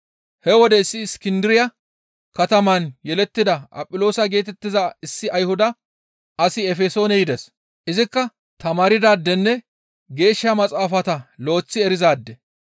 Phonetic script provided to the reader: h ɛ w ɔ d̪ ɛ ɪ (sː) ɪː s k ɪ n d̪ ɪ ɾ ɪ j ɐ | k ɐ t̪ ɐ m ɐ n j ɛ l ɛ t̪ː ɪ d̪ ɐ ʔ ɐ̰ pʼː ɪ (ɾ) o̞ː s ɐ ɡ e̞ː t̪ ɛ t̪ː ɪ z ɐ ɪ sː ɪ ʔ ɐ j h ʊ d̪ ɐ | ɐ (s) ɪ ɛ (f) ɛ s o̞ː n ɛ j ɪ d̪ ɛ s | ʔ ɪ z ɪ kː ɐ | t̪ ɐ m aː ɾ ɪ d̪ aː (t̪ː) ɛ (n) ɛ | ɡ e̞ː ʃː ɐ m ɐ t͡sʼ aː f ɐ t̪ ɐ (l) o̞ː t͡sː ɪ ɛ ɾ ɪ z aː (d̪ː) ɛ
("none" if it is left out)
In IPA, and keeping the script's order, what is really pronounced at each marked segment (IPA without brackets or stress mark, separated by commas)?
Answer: sː, l, s, f, d̪ː, nː, l, d̪ː